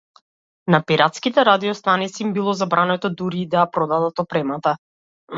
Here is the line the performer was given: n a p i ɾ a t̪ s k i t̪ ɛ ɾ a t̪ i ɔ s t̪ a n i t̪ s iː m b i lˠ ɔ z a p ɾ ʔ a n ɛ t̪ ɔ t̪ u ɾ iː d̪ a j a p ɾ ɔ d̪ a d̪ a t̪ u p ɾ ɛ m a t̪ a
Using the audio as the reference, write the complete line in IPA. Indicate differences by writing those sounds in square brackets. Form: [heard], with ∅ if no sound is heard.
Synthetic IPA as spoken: n a p i ɾ a t̪ s k i t̪ ɛ ɾ a [d̪] i ɔ s t̪ a n i t̪ s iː m b i lˠ ɔ z a [b] ɾ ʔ a n ɛ t̪ ɔ [d̪] u ɾ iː d̪ a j a p ɾ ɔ d̪ a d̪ a t̪ [ɔ] p ɾ ɛ m a t̪ a